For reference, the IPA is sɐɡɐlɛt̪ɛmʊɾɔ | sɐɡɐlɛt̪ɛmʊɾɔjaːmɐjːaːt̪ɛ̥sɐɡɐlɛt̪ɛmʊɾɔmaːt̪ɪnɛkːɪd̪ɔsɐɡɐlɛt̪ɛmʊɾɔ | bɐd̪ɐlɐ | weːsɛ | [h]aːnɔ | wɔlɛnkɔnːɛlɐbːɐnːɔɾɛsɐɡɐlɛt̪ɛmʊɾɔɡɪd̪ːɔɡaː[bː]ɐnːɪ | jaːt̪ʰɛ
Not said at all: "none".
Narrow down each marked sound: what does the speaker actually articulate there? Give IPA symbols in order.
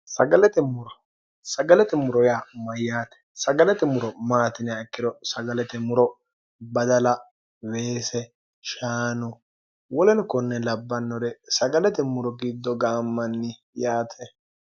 ʃ, mː

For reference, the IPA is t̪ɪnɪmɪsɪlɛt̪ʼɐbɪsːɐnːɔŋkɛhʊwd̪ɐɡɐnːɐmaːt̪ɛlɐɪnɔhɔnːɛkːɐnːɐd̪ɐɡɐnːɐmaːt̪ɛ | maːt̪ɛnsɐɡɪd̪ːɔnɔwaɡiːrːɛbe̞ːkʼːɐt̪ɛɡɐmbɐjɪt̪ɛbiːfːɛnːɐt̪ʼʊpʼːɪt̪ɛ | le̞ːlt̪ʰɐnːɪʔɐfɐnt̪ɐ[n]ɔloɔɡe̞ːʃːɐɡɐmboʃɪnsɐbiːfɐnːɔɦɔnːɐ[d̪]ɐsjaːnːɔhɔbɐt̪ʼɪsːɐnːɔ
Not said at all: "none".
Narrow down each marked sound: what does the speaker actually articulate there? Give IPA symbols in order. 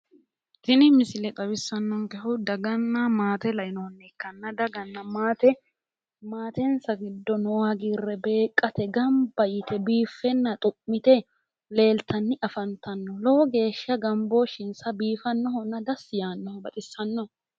nː, d̪

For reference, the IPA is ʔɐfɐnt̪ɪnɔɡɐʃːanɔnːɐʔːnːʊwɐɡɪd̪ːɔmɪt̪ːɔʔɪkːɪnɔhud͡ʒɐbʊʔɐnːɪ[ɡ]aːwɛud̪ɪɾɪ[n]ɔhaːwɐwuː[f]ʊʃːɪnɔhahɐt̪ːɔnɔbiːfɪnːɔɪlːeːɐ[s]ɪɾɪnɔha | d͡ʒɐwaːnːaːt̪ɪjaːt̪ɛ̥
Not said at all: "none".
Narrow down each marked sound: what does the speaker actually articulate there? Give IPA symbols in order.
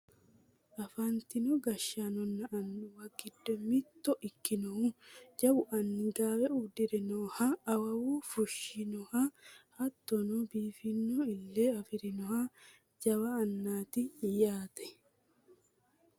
ɡ, n, f, f

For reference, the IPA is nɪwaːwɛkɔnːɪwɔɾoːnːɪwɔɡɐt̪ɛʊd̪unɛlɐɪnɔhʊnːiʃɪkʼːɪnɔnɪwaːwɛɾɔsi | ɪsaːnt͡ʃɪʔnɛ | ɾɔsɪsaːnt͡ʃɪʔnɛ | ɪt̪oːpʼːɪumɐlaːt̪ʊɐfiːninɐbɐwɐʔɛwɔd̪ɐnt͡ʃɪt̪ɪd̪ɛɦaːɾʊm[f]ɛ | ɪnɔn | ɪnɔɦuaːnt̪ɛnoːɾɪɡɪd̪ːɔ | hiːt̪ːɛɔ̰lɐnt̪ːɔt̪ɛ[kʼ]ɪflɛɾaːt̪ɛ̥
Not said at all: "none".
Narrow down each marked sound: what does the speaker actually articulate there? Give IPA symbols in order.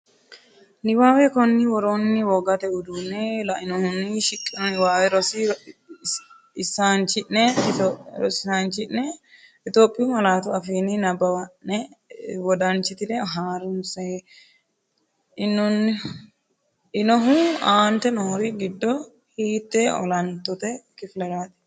s, k

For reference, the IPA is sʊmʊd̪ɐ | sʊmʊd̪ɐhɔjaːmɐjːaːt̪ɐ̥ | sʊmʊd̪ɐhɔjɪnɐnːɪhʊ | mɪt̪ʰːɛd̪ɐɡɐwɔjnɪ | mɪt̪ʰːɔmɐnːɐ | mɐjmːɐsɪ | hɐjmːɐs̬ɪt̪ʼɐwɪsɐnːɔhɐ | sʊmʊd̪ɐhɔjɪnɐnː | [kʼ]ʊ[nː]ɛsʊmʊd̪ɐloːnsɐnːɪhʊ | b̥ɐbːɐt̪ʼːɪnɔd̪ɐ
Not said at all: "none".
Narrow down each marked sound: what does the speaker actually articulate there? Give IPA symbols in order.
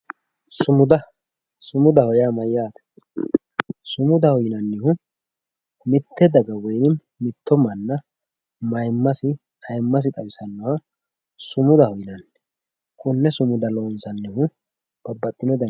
kʼ, nː

